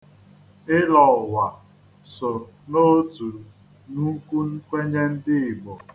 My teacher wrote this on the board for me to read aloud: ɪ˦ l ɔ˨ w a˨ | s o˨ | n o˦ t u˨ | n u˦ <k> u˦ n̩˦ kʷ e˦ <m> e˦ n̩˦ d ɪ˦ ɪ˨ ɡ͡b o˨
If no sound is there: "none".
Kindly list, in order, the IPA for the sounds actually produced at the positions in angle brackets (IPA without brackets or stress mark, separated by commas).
k, ɲ